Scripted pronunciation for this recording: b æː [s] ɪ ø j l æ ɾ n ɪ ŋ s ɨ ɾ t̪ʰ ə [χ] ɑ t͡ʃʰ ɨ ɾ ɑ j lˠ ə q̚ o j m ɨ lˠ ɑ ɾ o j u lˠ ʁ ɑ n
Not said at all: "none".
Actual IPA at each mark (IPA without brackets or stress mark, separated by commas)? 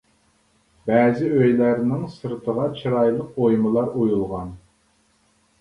z, ʁ